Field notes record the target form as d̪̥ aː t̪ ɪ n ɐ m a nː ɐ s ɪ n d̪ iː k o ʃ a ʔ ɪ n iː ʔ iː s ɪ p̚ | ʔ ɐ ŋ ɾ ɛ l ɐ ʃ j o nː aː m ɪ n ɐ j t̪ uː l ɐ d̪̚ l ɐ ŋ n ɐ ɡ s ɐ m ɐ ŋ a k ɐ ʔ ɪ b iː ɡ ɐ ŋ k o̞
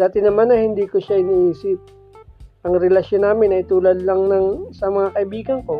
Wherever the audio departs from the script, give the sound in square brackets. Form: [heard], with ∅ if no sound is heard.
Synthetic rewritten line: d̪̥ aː t̪ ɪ n ɐ m a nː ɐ [h] ɪ n d̪ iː k o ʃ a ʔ ɪ n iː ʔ iː s ɪ p̚ | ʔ ɐ ŋ ɾ ɛ l ɐ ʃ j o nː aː m ɪ n ɐ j t̪ uː l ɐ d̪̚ l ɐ ŋ n ɐ [ŋ] s ɐ m ɐ ŋ a k ɐ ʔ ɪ b iː ɡ ɐ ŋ k o̞